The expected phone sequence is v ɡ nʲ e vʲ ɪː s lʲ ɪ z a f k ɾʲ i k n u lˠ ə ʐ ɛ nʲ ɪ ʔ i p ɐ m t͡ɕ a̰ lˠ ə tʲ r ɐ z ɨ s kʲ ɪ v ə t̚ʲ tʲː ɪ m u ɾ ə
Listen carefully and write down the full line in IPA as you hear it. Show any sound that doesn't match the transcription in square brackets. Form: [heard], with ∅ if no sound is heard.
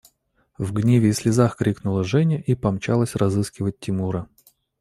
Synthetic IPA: v ɡ nʲ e vʲ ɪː s lʲ ɪ z a [x] k ɾʲ i k n [ʊ] lˠ ə ʐ ɛ nʲ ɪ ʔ i p ɐ m t͡ɕ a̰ lˠ ə [sʲ] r ɐ z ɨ s kʲ ɪ v ə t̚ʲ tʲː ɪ m u ɾ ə